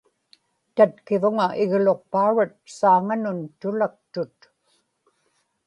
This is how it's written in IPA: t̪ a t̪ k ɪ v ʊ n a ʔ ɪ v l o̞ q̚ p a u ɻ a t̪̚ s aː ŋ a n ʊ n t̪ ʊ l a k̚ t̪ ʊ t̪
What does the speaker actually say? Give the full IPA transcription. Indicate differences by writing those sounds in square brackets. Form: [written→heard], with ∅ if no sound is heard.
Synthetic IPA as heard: t̪ a t̪ k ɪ v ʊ [n→ŋ] a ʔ ɪ [v→ɣ] l o̞ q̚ p a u ɻ a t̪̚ s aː ŋ a n ʊ n t̪ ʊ l a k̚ t̪ ʊ t̪